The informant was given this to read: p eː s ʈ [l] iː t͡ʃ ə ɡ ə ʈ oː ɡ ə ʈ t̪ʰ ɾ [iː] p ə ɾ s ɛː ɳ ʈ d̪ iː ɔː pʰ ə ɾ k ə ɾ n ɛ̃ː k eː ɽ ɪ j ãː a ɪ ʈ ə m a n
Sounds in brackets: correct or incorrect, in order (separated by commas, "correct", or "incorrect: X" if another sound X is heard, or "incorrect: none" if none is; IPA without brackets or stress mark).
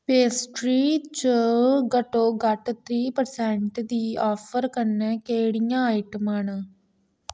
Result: incorrect: ɾ, correct